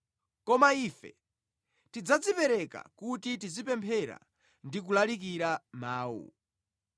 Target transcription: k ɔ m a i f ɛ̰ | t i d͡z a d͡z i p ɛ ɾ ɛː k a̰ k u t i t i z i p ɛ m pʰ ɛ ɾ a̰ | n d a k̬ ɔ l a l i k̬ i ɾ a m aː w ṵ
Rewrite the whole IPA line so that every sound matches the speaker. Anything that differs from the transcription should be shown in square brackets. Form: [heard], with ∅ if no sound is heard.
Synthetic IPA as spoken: k ɔ m a i f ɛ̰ | t i d͡z a d͡z i p ɛ ɾ [ɛ] k a̰ k u t i t i z i p ɛ m pʰ ɛ ɾ a̰ | n d [i] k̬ [u] l a l i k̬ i ɾ a m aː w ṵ